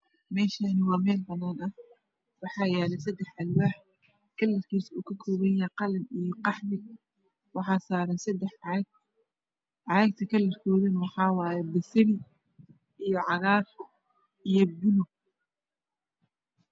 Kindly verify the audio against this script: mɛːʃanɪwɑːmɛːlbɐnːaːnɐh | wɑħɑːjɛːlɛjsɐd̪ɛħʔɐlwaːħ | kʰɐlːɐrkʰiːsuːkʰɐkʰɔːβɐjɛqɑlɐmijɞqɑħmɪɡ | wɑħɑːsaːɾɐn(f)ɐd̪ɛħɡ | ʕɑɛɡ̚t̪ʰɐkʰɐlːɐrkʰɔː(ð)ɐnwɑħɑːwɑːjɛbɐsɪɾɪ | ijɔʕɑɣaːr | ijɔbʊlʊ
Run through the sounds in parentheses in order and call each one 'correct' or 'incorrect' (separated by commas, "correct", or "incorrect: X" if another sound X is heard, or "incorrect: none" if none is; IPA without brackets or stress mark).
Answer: incorrect: s, correct